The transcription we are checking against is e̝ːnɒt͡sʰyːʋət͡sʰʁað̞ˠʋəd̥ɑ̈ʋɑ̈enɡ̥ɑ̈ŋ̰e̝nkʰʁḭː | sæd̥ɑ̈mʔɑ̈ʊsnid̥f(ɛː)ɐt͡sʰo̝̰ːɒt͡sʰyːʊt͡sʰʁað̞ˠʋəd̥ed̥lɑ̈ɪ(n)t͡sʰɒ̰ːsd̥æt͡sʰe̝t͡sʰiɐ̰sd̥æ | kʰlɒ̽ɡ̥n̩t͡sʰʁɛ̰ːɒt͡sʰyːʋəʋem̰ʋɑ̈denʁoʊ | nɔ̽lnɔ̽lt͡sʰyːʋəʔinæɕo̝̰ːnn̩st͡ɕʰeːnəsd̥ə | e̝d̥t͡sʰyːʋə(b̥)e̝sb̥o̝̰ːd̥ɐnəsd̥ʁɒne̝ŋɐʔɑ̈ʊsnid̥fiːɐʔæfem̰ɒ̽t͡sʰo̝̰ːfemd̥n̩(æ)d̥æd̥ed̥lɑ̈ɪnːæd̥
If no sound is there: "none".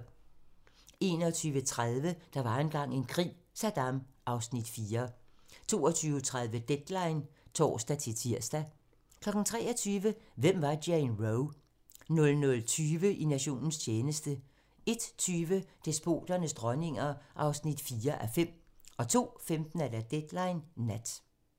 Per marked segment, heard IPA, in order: iː, n, d̥, æ

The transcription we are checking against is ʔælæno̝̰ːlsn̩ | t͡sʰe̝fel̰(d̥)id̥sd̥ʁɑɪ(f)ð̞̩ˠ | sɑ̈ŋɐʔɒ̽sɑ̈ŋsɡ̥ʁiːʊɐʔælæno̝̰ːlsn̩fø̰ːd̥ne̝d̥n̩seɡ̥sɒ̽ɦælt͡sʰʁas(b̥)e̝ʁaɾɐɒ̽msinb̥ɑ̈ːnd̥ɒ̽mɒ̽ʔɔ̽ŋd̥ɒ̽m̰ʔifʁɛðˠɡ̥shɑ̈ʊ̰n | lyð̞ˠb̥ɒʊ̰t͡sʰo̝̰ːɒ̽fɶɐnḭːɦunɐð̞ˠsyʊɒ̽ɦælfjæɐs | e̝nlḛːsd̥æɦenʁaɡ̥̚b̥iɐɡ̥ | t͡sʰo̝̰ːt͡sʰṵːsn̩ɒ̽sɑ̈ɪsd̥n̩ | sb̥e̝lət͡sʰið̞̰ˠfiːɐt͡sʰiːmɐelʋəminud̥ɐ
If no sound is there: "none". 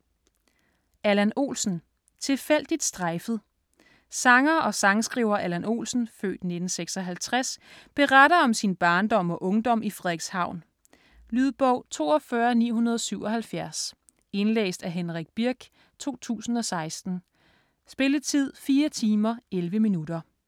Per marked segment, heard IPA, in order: d̥, f, b̥

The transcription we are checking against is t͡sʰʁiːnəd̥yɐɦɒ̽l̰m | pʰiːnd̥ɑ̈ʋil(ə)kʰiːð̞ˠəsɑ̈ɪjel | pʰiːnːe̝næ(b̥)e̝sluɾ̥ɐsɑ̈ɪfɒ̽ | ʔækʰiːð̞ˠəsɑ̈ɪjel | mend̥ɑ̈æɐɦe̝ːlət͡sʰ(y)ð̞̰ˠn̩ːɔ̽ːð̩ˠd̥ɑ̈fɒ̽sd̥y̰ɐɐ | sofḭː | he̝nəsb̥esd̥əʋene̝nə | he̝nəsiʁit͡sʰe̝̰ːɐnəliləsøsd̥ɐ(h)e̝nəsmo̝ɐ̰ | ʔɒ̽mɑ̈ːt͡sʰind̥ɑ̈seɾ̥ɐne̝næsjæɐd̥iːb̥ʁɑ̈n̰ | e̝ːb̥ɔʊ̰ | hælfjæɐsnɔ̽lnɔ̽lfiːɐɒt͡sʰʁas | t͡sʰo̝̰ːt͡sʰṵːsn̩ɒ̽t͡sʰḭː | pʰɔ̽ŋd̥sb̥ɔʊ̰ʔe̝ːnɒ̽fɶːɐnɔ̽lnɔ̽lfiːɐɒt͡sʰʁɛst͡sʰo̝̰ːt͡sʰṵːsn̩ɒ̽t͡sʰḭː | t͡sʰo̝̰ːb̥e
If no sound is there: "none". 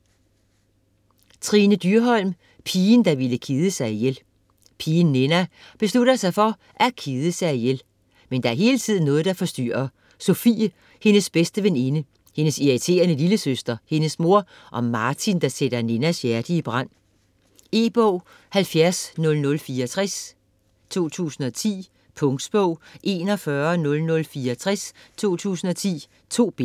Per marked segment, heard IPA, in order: ə, b̥, i, h

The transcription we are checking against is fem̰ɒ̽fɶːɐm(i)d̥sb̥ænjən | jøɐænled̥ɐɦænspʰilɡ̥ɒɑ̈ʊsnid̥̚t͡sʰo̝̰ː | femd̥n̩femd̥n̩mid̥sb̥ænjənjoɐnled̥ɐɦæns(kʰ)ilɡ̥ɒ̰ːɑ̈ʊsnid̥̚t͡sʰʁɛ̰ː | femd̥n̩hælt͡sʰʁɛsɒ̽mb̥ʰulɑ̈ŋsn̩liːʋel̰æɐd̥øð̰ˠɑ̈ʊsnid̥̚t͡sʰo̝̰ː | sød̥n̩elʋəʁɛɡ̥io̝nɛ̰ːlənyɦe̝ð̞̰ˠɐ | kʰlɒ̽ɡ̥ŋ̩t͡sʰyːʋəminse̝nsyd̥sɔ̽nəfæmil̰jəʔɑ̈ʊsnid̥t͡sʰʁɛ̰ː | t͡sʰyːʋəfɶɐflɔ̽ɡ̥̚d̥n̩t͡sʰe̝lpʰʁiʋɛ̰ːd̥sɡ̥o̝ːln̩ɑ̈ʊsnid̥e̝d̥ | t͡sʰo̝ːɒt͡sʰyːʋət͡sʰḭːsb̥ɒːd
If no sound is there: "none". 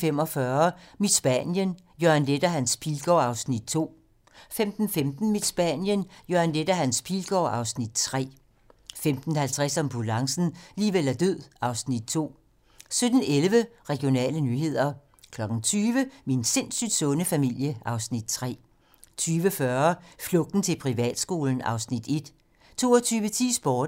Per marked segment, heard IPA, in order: i, pʰ

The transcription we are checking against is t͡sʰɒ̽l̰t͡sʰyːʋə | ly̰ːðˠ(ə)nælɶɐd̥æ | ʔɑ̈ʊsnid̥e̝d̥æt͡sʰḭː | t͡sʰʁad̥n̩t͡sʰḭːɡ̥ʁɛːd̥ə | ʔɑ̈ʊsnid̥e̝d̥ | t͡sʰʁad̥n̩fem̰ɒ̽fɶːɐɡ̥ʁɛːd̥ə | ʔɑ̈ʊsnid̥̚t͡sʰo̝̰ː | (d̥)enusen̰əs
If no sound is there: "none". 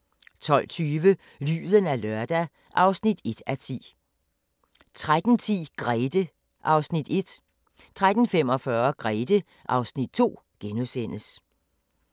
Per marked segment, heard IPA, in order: ə, ɡ̥

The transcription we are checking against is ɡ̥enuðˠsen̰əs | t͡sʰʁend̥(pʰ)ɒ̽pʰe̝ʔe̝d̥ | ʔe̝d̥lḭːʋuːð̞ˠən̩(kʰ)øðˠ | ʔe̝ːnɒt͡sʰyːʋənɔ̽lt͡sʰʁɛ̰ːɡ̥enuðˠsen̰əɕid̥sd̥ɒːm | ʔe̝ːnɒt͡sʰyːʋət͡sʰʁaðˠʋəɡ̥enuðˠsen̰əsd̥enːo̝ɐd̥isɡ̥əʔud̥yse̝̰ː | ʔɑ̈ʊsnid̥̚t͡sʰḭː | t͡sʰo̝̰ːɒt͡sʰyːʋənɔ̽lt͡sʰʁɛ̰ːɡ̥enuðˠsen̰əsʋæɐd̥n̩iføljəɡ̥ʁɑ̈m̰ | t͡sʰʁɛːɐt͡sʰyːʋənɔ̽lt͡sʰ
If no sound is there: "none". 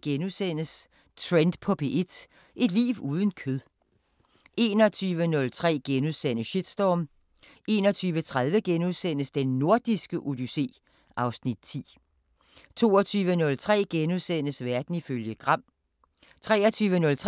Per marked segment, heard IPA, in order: pʰ, kʰ

